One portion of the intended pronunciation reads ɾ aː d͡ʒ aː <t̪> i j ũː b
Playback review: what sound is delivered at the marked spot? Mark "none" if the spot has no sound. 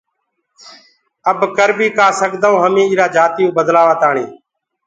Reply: t̪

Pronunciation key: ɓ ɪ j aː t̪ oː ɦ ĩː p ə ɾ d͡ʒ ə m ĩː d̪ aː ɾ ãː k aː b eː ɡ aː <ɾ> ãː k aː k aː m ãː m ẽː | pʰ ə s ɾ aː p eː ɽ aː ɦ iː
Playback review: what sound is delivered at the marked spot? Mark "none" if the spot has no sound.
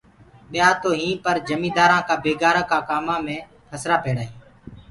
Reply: ɾ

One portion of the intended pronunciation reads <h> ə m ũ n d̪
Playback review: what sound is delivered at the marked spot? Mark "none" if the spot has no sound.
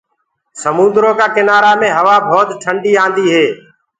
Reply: s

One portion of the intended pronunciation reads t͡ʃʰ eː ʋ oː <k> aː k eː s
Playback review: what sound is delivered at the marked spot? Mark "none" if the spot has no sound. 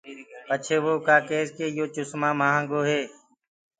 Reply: k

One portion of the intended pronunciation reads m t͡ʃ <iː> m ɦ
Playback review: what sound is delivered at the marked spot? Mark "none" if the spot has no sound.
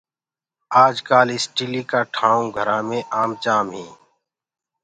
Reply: aː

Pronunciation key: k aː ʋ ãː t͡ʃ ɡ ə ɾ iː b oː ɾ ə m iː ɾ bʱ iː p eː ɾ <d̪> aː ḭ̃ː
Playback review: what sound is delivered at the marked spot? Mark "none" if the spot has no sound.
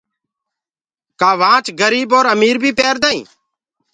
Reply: d̪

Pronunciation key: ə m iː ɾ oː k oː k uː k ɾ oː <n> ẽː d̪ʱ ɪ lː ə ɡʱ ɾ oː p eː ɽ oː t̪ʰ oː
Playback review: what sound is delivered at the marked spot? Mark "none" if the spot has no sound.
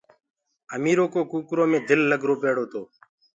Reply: m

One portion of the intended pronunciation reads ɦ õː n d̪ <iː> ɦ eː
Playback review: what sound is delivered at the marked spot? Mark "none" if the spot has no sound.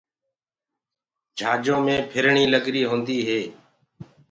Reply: iː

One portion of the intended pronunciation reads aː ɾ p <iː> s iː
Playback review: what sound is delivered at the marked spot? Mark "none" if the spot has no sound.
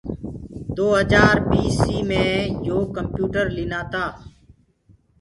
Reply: iː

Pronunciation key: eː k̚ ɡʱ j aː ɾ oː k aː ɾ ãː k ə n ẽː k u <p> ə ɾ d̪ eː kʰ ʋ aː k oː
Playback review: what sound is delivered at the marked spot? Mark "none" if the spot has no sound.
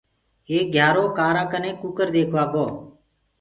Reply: k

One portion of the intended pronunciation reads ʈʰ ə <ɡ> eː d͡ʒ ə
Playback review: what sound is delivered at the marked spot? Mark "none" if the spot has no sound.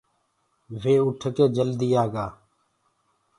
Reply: k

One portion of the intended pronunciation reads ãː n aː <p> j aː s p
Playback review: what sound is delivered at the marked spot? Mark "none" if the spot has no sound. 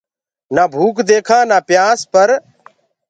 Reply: p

